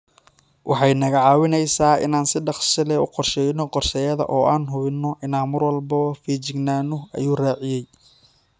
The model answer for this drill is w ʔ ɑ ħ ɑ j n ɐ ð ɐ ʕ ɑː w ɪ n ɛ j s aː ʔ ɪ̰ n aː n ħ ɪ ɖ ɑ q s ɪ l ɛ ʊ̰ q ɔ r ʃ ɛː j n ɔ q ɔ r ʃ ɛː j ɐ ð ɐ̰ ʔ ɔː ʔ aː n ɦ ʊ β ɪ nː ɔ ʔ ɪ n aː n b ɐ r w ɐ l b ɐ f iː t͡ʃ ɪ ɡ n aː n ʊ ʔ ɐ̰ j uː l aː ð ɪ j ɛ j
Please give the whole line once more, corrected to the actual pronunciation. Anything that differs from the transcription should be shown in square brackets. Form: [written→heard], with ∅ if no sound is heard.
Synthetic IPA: w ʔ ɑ ħ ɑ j n ɐ [ð→ɣ] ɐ ʕ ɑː w ɪ n ɛ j s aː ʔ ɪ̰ n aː n [ħ→s] ɪ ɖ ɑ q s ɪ l ɛ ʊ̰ q ɔ r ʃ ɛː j n ɔ q ɔ r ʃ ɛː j ɐ ð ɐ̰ ʔ ɔː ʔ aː n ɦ ʊ β ɪ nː ɔ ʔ ɪ n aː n [b→m] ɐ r w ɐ l b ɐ f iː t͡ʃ ɪ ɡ n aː n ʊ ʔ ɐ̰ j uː [l→r] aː [ð→ʕ] ɪ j ɛ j